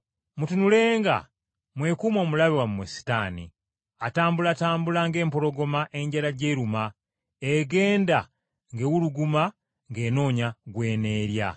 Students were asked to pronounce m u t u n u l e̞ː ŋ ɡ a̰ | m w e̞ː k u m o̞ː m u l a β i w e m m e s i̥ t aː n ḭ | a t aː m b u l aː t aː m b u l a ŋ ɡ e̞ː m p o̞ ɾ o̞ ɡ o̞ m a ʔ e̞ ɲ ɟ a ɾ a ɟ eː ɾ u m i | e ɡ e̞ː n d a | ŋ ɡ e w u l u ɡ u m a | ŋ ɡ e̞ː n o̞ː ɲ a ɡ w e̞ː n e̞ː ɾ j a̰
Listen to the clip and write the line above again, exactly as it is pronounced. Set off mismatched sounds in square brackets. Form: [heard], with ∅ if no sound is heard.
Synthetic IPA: m u t u n u l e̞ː ŋ ɡ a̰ | m w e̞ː k u m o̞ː m u l a β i w [a] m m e s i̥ t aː n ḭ | a t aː m b u l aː t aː m b u l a ŋ ɡ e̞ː m p o̞ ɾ o̞ ɡ o̞ m a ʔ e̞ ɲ ɟ a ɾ a ɟ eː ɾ u m [a] | e ɡ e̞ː n d a | ŋ ɡ e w u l u ɡ u m a | ŋ ɡ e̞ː n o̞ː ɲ a ɡ w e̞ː n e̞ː ɾ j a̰